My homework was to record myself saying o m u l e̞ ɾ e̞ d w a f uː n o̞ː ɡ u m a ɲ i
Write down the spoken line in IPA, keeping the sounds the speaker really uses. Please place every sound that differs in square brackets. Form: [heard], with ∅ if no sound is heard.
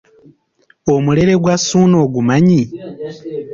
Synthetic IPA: o m u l e̞ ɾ e̞ [ɡ] w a [s] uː n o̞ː ɡ u m a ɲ i